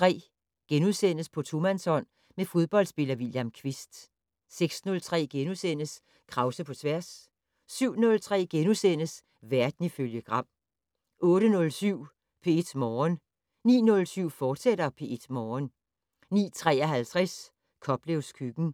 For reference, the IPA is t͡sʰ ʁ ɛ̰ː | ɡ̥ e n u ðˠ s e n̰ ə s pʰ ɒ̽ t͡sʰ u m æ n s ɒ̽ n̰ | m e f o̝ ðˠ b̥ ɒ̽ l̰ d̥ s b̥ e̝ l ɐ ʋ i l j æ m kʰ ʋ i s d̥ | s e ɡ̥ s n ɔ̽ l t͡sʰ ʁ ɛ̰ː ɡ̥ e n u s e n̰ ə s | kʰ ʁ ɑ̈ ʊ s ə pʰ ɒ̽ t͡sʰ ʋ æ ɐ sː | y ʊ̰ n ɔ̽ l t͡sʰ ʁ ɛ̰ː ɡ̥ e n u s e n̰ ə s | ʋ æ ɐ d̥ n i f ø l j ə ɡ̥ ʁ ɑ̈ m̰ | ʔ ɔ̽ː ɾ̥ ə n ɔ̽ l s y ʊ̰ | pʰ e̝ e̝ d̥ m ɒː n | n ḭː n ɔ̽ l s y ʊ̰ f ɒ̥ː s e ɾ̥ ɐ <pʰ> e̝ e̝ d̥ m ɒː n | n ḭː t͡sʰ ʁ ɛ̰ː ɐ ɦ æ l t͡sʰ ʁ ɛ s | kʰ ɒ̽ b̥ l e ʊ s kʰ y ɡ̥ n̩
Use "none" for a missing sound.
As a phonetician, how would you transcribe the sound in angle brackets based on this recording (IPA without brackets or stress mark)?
pʰ